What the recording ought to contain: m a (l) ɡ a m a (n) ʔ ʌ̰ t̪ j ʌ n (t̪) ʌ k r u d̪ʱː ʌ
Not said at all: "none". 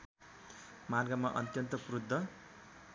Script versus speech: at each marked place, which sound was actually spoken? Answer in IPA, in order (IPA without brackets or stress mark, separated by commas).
r, none, t̪